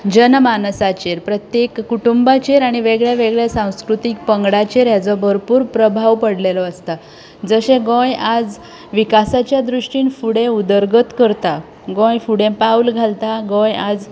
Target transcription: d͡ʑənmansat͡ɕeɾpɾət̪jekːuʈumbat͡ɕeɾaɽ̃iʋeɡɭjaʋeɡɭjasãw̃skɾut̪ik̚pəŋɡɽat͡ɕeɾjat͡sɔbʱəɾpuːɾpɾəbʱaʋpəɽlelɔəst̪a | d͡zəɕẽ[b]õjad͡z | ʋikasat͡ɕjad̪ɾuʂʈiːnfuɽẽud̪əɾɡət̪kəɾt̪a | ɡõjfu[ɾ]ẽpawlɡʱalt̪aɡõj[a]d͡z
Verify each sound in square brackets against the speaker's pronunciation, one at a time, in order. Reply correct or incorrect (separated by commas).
incorrect, incorrect, correct